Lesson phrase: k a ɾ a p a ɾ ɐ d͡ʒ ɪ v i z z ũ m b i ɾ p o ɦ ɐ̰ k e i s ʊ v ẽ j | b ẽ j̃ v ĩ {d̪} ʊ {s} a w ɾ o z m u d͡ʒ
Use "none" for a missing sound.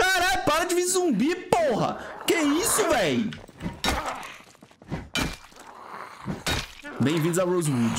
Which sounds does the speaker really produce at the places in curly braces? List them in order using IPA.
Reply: d̪, z

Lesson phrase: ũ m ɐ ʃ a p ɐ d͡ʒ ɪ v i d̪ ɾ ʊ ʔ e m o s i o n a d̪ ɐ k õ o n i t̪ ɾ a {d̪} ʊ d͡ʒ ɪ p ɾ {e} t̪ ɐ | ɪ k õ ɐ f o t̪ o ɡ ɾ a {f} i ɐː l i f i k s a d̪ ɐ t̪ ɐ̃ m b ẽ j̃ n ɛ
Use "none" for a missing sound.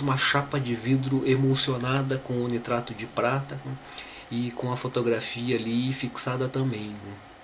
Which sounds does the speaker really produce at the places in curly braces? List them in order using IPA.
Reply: t̪, a, f

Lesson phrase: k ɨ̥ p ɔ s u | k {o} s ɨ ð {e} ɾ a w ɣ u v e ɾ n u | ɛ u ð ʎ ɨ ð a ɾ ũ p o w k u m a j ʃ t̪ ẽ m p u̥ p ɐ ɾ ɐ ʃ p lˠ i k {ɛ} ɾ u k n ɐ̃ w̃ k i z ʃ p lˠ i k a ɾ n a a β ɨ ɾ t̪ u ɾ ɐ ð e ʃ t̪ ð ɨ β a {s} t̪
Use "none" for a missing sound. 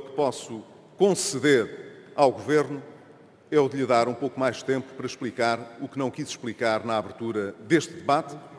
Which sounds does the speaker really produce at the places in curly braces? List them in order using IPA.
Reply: õ, e, a, none

